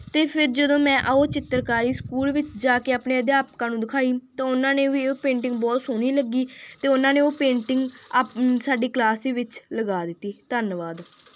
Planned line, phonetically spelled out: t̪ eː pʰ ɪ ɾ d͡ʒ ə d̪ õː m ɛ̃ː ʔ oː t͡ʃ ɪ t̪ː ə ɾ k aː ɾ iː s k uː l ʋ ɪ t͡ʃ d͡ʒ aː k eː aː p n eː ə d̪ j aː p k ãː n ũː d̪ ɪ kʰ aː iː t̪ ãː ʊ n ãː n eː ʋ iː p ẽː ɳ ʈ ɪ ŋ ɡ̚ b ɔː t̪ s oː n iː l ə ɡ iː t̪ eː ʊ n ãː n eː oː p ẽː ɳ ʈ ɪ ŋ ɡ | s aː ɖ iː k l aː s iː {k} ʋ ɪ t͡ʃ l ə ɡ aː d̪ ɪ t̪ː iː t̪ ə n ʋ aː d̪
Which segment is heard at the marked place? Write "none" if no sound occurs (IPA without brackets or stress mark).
none